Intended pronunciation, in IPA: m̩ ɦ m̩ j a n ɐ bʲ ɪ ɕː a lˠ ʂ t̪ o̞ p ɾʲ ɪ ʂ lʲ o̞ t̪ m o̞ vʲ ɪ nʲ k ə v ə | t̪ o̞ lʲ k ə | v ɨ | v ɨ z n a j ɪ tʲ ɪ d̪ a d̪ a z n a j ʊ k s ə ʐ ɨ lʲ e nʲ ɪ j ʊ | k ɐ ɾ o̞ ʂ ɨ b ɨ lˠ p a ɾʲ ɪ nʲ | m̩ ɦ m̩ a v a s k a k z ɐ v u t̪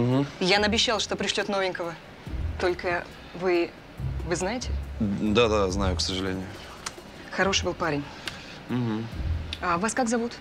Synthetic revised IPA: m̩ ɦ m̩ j a n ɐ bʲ ɪ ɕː a lˠ ʂ t̪ o̞ p ɾʲ ɪ ʂ lʲ o̞ t̪ n o̞ vʲ ɪ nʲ k ə v ə | t̪ o̞ lʲ k ə | v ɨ | v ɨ z n a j ɪ tʲ ɪ d̪ a d̪ a z n a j ʊ k s ə ʐ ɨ lʲ e nʲ ɪ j ʊ | x ɐ ɾ o̞ ʂ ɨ b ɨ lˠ p a ɾʲ ɪ nʲ | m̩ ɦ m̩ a v a s k a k z ɐ v u t̪

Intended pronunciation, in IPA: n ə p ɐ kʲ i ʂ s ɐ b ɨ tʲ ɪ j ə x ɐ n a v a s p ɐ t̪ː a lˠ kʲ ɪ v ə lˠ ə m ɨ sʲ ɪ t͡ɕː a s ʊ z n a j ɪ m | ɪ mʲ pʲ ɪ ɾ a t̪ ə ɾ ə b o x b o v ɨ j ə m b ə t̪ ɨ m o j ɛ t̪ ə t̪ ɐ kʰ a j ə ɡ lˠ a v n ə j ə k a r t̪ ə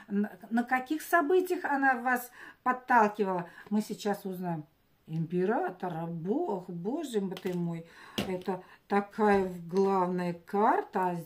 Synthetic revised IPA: n ə k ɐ kʲ i x s ɐ b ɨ tʲ ɪ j ə x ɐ n a v a s p ɐ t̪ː a lˠ kʲ ɪ v ə lˠ ə m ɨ sʲ ɪ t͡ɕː a s ʊ z n a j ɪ m | ɪ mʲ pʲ ɪ ɾ a t̪ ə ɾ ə b o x b o ʐ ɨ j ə m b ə t̪ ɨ m o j ɛ t̪ ə t̪ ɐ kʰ a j ə ɡ lˠ a v n ə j ə k a r t̪ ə

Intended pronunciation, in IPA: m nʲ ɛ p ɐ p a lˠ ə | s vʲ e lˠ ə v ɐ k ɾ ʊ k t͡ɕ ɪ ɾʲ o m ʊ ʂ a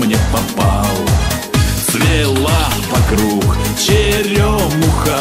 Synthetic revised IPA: m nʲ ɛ p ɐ p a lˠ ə | s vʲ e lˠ a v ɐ k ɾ u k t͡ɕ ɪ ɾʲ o m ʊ x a

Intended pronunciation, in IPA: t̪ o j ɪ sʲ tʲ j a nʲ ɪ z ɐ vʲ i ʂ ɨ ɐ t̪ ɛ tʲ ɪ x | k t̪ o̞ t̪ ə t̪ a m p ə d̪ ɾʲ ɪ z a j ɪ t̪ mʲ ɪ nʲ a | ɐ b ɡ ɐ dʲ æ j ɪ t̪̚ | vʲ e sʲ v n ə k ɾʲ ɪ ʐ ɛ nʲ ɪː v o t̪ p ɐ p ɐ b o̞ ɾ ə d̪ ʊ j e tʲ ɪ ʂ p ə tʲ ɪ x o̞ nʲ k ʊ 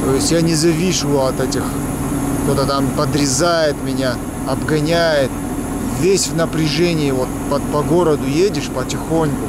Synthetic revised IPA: t̪ o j ɪ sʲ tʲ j a nʲ ɪ z ɐ vʲ i ʂ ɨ ɐ t̪ ɛ tʲ ɪ x | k t̪ o̞ t̪ ə t̪ a m p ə d̪ ɾʲ ɪ z a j ɪ t̪ mʲ ɪ nʲ a | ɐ b ɡ ɐ nʲ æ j ɪ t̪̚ | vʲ e sʲ v n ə p ɾʲ ɪ ʐ ɛ nʲ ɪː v o t̪ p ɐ p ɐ ɡ o̞ ɾ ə d̪ ʊ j e dʲ ɪ ʂ p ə tʲ ɪ x o̞ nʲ k ʊ

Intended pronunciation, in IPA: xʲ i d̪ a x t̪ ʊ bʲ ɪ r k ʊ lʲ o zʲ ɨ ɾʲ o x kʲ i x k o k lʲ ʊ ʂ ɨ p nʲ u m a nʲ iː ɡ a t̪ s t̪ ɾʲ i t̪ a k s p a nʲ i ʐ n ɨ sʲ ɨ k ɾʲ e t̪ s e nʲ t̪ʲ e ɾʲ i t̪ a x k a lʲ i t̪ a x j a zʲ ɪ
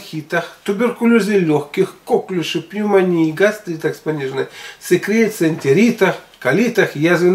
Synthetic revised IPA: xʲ i t̪ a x t̪ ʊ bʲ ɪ r k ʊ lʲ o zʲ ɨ lʲ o x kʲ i x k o k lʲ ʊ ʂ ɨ p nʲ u m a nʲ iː ɡ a s t̪ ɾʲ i t̪ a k s p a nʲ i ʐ n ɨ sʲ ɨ k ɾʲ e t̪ s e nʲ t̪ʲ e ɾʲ i t̪ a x k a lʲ i t̪ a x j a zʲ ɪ

